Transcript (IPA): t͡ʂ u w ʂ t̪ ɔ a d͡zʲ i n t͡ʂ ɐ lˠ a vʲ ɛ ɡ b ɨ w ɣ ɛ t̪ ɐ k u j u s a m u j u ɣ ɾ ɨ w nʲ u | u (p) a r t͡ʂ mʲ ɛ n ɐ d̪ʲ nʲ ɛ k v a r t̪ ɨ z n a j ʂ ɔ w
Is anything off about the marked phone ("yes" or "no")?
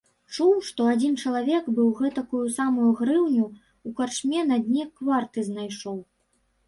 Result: yes